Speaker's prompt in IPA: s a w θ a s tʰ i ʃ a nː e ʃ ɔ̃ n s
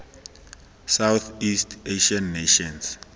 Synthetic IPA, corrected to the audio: s a w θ i s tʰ e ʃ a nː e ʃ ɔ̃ n s

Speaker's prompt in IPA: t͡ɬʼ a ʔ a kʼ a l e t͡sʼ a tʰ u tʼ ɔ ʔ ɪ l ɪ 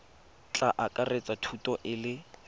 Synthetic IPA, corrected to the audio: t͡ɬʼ a ʔ a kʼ a r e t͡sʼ a tʰ u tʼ ɔ ʔ ɪ l ɪ

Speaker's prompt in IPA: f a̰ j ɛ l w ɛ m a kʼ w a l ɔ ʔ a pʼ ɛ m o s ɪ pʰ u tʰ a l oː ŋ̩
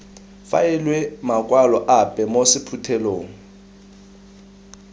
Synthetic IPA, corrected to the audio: f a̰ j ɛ l w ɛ m a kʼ w a l ɔ ʔ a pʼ ɛ m o s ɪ pʰ u tʰ ɛ l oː ŋ̩

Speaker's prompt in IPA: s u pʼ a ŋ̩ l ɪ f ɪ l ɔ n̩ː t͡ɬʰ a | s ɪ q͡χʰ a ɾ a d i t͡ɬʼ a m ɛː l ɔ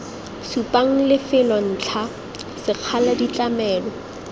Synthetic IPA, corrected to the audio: s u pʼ a ŋ̩ l ɪ f ɪ l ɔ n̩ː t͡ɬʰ a | s ɪ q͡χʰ a l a d i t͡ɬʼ a m ɛː l ɔ

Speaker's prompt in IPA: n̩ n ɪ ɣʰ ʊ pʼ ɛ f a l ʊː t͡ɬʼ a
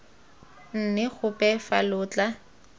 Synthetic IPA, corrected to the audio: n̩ n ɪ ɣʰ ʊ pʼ ɛ f a l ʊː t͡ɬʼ a

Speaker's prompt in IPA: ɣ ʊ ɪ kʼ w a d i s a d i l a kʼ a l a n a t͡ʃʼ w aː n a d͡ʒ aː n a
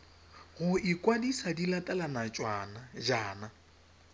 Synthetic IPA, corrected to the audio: ɣ ʊ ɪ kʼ w a d i s a d i l a tʼ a l a n a t͡ʃʼ w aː n a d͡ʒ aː n a

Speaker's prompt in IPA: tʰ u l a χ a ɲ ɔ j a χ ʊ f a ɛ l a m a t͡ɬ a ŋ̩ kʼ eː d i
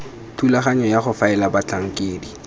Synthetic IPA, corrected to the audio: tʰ u l a χ a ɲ ɔ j a χ ʊ f a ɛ l a b a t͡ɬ a ŋ̩ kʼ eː d i

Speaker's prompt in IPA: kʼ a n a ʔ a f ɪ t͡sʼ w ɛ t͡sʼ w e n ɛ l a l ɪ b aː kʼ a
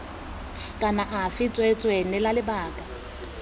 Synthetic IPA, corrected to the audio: kʼ a n a ʔ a f ɪ t͡sʼ w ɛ t͡sʼ w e n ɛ l a l ɪ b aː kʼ a

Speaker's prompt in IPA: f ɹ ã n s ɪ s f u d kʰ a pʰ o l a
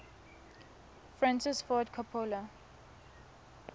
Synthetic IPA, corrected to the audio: f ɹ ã n s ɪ s f ɔ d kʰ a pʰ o l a

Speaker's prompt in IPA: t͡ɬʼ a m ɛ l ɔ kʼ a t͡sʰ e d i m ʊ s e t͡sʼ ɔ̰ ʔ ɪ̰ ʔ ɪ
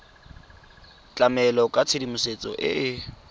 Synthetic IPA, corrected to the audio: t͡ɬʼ a m ɛ l ɔ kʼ a t͡sʰ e d i m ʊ s e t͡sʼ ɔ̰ ʔ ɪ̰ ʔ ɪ

